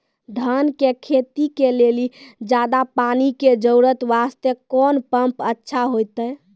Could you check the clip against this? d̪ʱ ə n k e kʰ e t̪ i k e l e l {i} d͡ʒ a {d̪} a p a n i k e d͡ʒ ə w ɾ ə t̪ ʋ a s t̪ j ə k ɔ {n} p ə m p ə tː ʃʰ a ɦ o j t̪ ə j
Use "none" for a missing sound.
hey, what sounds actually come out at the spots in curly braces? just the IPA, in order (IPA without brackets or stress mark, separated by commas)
i, d̪, n